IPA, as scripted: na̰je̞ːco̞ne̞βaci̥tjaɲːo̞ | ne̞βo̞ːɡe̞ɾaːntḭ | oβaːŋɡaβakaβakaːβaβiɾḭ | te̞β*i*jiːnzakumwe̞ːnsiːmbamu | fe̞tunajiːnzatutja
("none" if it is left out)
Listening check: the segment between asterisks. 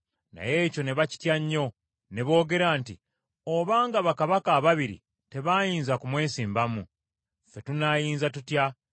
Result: a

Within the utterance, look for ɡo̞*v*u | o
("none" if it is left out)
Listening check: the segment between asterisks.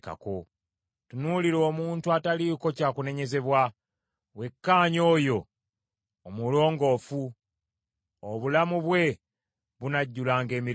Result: f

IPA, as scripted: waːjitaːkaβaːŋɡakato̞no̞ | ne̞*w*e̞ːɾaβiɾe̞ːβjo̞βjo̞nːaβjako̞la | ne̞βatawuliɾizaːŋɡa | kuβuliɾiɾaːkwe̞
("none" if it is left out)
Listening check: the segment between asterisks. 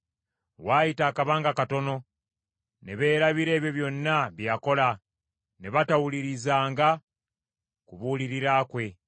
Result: β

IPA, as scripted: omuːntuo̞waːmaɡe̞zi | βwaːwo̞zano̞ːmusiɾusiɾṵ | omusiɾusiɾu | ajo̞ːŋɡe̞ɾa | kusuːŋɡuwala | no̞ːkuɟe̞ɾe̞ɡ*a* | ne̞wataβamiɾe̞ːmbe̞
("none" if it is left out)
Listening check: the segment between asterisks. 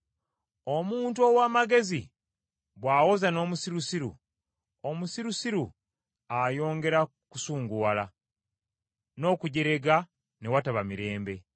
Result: a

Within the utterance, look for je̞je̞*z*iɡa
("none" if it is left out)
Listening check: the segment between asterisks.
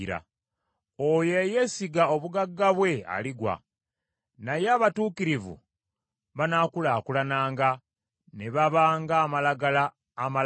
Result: s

